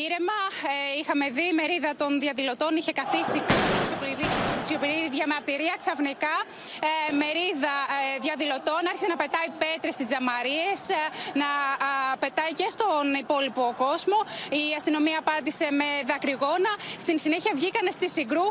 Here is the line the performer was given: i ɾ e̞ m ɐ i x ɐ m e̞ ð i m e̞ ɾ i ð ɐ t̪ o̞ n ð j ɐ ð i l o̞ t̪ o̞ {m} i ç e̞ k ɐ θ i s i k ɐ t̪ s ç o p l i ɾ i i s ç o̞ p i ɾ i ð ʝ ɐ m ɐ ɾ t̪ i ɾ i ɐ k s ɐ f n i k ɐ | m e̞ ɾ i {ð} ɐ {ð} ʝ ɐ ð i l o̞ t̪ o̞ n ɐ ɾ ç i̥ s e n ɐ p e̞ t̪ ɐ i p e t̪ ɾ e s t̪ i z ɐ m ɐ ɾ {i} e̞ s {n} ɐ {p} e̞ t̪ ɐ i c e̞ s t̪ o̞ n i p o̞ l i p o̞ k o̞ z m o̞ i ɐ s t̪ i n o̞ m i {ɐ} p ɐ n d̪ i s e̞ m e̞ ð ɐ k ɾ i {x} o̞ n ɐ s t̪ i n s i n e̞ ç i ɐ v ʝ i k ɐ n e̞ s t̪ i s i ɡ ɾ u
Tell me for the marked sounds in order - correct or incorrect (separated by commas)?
incorrect, correct, correct, correct, correct, correct, incorrect, incorrect